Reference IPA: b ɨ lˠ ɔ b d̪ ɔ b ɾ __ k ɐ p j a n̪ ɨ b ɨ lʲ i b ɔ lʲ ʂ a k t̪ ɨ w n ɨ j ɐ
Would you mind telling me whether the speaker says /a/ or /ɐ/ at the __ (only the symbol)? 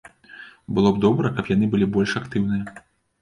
ɐ